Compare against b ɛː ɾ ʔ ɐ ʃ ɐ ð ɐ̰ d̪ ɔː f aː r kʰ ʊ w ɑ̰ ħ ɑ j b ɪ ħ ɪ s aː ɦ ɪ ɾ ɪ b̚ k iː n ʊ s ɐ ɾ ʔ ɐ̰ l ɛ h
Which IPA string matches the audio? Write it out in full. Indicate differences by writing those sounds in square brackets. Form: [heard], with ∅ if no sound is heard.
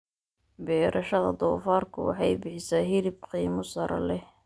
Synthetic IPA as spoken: b ɛː ɾ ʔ ɐ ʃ ɐ ð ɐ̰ d̪ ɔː f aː r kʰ ʊ w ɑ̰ ħ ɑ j b ɪ ħ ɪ s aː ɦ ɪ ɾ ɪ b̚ [q] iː [m] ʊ s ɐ ɾ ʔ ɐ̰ l ɛ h